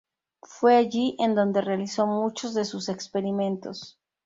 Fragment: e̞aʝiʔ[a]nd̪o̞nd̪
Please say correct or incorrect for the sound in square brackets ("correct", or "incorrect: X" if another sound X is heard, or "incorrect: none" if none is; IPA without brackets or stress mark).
incorrect: e